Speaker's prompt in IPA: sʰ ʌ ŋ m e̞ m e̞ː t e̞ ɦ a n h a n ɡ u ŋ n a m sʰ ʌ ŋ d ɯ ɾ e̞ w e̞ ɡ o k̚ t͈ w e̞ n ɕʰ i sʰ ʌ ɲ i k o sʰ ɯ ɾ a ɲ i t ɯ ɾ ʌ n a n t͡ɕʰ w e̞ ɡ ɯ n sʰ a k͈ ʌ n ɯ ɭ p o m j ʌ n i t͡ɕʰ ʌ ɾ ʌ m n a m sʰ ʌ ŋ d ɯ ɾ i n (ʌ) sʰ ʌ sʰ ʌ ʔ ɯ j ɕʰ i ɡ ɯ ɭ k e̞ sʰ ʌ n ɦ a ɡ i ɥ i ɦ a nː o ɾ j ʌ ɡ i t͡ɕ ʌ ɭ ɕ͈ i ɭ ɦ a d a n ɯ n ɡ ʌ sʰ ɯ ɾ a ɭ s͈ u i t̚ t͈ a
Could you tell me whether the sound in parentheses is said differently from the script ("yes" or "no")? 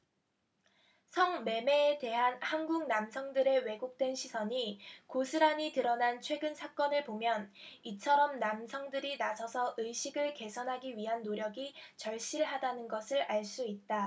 yes